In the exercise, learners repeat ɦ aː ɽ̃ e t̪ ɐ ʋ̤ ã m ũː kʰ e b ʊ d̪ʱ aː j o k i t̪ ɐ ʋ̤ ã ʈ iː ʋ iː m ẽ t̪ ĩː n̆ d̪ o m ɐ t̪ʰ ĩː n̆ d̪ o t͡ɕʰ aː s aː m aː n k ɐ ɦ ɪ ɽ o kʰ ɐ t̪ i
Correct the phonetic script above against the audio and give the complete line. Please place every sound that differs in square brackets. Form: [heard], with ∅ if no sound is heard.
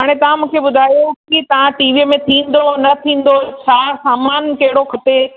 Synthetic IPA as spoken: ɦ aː ɽ̃ e t̪ ɐ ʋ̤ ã m ũː kʰ e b ʊ d̪ʱ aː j o k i t̪ ɐ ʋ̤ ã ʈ iː ʋ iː m ẽ [t̪ʰ] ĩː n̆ d̪ o [n] ɐ t̪ʰ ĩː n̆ d̪ o t͡ɕʰ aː s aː m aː n k ɐ ɦ ɪ ɽ o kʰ ɐ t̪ [e]